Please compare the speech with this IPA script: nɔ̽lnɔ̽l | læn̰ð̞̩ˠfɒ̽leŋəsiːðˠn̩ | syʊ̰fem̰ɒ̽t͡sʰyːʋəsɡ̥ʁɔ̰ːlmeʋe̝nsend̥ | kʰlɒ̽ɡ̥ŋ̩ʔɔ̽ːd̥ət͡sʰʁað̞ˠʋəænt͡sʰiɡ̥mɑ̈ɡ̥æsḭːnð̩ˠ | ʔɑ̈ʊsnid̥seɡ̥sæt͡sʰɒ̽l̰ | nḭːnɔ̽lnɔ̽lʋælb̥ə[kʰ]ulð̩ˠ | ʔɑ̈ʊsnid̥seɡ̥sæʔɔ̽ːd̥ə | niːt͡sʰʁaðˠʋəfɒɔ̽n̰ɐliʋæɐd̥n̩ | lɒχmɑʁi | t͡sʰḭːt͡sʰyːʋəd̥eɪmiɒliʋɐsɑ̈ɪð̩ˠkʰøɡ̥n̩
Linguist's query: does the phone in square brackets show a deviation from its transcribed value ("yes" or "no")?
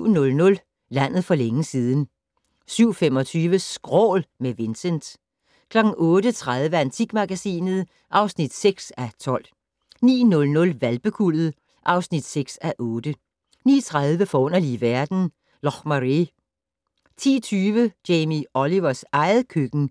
no